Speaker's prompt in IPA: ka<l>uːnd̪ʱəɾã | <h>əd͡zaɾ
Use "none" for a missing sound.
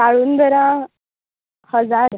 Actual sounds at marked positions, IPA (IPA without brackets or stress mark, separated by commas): ɭ, h